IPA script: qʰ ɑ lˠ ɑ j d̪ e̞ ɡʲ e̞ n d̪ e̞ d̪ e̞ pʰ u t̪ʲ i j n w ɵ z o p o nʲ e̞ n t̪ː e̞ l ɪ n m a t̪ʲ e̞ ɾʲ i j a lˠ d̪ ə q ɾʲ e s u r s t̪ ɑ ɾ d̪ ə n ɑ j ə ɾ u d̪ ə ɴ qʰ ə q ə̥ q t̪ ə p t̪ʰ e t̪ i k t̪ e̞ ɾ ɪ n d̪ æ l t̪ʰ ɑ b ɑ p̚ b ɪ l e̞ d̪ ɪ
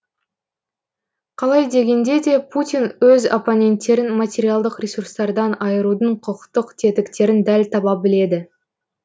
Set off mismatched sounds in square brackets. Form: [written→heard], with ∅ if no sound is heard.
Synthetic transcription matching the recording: qʰ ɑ lˠ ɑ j d̪ e̞ ɡʲ e̞ n d̪ e̞ d̪ e̞ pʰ u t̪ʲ i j n w ɵ z o p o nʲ e̞ n t̪ː e̞ [l→ɾ] ɪ n m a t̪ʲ e̞ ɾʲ i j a lˠ d̪ ə q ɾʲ e s u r s t̪ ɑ ɾ d̪ [ə→ɑ] n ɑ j ə ɾ u d̪ ə ɴ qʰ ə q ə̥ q t̪ ə [p→q] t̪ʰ e t̪ [i→ɪ] k t̪ e̞ ɾ ɪ n d̪ æ l t̪ʰ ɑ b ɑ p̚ b ɪ l e̞ d̪ ɪ